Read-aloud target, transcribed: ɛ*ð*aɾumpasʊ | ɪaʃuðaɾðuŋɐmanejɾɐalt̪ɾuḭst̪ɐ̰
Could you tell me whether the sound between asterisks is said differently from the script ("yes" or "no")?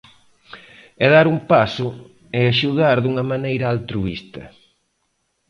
no